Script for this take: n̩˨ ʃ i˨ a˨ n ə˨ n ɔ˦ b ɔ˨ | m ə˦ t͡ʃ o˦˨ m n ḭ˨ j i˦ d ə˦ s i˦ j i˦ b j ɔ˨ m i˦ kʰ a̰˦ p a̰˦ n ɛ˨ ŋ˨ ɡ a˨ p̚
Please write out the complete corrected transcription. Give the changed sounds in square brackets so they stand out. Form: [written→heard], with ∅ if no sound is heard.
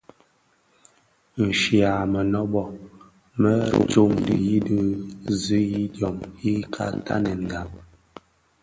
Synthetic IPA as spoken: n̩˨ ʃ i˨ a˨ [n→m] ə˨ n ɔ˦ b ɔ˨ | m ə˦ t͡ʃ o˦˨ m [n→d] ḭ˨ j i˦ d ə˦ [s→z] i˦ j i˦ [b→d] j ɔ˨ m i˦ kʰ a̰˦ [p→t] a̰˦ n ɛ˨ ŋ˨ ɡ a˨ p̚